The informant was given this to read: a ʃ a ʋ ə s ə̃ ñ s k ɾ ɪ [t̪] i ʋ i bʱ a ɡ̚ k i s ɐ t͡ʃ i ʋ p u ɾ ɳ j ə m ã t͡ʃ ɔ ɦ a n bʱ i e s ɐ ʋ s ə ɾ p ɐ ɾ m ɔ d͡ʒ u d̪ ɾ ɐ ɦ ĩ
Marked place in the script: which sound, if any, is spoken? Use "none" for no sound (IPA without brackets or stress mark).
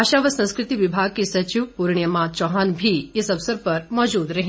t̪